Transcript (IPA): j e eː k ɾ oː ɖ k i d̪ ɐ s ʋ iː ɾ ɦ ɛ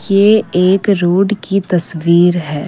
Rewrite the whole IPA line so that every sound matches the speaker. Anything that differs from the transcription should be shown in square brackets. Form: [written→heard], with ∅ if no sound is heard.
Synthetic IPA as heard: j e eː k ɾ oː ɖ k i [d̪→t̪] ɐ s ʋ iː ɾ ɦ [ɛ→ɛː]